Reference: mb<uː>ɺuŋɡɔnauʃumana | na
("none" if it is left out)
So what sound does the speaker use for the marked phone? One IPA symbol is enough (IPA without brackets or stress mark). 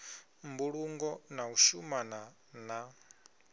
u